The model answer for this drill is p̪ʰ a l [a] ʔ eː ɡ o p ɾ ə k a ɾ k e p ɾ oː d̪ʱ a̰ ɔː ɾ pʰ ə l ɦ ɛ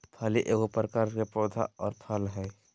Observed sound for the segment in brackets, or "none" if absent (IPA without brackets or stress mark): i